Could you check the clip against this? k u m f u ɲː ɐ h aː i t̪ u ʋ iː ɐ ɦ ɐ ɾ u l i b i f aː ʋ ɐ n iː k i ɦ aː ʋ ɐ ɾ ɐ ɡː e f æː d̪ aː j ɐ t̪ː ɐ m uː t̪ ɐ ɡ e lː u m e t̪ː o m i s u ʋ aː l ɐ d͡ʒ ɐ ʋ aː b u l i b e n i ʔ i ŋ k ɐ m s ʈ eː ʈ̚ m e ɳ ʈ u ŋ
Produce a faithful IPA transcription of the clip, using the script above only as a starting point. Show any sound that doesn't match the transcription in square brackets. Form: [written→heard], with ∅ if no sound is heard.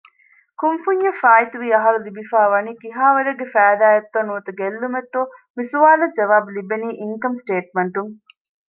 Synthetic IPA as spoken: k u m f u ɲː ɐ [h→f] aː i t̪ u ʋ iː ɐ ɦ ɐ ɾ u l i b i f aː ʋ ɐ n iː k i ɦ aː ʋ ɐ ɾ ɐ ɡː e f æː d̪ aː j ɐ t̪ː ɐ [m→n] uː t̪ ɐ ɡ e lː u m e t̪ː o m i s u ʋ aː l ɐ d͡ʒ ɐ ʋ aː b u l i b e n [i→iː] ʔ i ŋ k ɐ m s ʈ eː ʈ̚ m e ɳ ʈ u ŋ